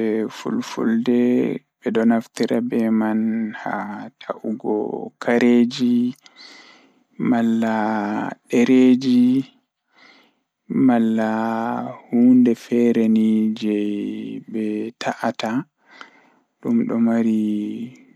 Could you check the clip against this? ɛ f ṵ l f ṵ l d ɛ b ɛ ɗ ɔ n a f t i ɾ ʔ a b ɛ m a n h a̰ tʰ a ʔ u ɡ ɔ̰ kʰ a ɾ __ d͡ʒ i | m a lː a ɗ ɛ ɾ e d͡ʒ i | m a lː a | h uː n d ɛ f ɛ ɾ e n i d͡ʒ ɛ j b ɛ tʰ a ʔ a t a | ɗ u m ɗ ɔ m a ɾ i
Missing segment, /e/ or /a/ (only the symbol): e